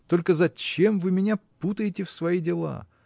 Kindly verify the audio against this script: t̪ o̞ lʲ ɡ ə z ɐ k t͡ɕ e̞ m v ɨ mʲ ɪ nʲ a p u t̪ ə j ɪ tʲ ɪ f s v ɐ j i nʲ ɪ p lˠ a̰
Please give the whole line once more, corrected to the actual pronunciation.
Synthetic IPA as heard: t̪ o̞ lʲ k ə z ɐ t͡ɕ e̞ m v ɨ mʲ ɪ nʲ a p u t̪ ə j ɪ tʲ ɪ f s v ɐ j i dʲ ɪ lˠ a̰